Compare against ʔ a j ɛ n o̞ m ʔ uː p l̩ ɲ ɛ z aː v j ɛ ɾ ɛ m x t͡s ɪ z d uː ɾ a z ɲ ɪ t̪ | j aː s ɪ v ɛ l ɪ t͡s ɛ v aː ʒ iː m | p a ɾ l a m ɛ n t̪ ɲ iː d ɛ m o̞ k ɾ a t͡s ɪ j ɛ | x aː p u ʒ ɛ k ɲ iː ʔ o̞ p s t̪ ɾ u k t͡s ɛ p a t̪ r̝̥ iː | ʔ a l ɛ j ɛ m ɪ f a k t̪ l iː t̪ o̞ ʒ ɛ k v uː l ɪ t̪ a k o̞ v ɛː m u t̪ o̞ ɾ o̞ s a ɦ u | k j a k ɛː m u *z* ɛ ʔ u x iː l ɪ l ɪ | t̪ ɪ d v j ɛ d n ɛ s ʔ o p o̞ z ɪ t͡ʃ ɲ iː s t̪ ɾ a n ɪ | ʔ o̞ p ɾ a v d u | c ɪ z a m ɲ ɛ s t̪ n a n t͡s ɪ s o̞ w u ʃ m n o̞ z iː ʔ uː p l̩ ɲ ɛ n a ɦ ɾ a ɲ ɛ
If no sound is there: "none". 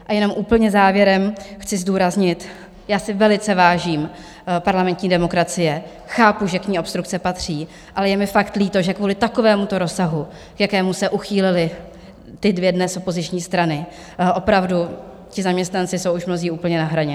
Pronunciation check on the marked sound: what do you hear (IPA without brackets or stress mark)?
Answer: s